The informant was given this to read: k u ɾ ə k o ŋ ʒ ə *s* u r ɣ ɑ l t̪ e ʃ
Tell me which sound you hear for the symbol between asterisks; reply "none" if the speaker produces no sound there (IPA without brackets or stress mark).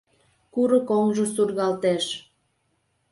s